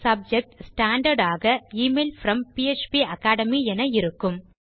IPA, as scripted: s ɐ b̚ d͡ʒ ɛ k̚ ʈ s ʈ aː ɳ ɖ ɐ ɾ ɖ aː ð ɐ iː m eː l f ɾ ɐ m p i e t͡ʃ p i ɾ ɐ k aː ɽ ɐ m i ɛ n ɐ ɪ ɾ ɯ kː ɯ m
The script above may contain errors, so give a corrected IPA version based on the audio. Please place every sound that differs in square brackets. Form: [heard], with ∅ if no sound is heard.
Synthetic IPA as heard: s ɐ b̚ d͡ʒ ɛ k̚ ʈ s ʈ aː ɳ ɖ ɐ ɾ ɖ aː [ɣ] ɐ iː m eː l f ɾ ɐ m p i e t͡ʃ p i [∅] ɐ k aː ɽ ɐ m i ɛ n ɐ ɪ ɾ ɯ kː ɯ m